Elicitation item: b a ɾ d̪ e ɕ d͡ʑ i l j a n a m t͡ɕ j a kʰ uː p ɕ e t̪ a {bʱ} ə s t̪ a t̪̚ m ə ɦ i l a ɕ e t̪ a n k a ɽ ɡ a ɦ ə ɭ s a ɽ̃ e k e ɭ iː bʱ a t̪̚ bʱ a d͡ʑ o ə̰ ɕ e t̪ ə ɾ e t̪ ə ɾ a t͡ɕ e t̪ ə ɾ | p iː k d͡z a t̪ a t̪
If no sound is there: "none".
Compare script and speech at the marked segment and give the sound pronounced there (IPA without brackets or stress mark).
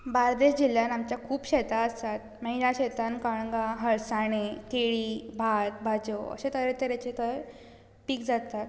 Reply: none